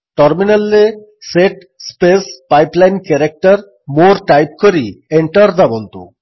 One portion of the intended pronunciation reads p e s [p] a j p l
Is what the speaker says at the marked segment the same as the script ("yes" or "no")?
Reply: yes